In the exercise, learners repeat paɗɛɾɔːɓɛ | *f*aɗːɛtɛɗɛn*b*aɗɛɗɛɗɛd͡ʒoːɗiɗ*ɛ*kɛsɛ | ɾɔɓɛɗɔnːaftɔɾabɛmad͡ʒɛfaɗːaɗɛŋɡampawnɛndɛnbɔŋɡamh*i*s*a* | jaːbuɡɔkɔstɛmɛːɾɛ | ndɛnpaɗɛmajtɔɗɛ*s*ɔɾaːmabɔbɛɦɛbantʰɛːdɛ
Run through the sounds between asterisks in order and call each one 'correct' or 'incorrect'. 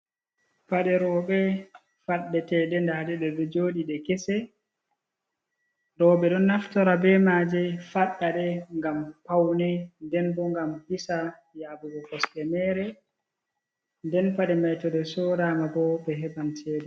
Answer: correct, incorrect: d, correct, correct, correct, correct

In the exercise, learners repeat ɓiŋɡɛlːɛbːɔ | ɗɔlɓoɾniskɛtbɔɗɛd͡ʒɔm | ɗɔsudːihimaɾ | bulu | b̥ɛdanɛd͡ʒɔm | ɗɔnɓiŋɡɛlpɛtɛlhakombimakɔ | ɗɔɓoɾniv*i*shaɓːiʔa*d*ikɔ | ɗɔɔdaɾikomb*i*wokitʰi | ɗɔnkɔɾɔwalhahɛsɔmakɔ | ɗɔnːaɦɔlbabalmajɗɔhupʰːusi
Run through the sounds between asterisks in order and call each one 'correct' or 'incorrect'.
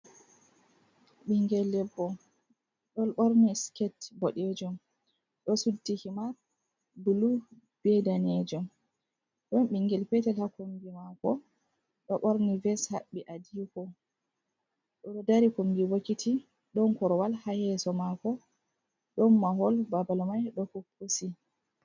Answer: incorrect: ɛ, correct, correct

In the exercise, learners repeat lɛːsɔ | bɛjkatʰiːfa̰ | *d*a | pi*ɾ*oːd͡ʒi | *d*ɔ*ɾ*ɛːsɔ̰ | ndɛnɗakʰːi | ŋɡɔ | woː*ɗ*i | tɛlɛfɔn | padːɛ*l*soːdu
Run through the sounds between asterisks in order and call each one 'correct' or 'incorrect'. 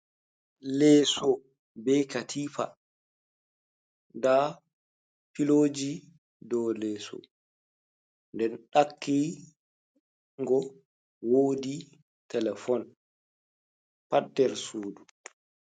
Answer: correct, incorrect: l, correct, incorrect: l, incorrect: d, incorrect: ɾ

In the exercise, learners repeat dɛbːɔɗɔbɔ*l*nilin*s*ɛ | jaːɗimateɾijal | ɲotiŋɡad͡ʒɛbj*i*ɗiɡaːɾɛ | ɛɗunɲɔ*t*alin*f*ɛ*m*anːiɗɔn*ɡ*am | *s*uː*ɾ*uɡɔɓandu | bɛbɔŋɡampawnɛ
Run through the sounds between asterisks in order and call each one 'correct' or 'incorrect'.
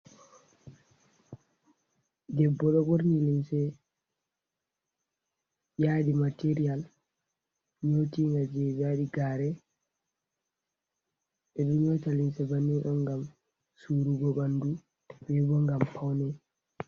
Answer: incorrect: ɾ, correct, incorrect: a, correct, incorrect: s, incorrect: b, correct, correct, correct

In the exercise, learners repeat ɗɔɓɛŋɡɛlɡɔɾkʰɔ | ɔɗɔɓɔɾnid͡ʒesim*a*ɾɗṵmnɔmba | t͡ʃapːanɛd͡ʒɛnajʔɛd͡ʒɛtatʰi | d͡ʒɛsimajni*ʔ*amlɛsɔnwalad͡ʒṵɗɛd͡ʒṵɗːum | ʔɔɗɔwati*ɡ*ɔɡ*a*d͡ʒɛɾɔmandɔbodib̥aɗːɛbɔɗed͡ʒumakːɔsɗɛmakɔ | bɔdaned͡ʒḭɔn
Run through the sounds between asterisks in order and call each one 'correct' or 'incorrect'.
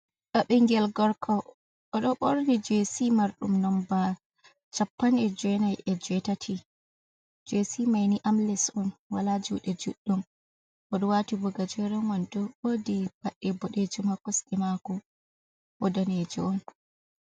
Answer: correct, correct, incorrect: b, correct

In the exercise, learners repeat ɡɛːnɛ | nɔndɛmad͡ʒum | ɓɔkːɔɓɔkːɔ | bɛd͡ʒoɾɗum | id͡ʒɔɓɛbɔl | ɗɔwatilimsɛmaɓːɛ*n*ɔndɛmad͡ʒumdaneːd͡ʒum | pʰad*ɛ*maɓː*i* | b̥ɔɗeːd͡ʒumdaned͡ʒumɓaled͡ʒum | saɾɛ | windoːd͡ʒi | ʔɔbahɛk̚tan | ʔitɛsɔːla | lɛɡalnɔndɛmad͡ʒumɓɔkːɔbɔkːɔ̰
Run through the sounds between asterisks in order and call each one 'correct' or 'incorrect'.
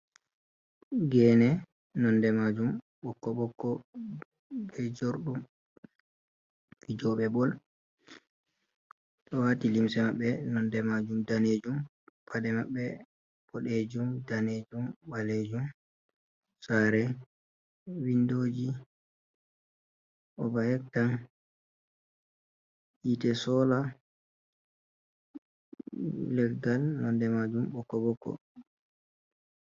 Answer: correct, correct, incorrect: ɛ

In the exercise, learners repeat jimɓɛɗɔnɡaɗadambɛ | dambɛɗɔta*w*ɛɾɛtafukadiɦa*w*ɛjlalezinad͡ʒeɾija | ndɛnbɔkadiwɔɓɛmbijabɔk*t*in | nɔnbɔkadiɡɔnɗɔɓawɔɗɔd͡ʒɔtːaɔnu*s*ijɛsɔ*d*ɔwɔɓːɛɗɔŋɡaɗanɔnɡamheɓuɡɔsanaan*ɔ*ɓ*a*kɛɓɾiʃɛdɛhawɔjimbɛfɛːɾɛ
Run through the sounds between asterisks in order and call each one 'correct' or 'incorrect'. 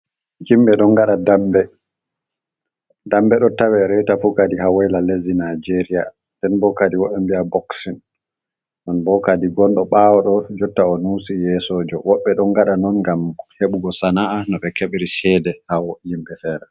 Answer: correct, correct, incorrect: s, correct, incorrect: d͡ʒ, correct, incorrect: ɛ

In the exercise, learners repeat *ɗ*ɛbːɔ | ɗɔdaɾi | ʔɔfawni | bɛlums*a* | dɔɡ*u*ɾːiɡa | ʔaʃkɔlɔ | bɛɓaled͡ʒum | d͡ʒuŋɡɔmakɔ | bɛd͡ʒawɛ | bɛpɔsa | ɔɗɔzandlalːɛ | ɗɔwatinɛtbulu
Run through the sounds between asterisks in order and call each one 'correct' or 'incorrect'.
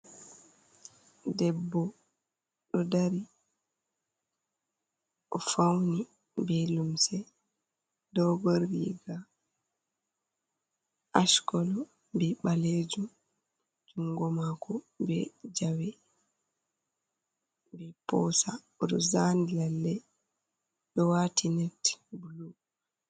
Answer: incorrect: d, incorrect: ɛ, incorrect: ɔ

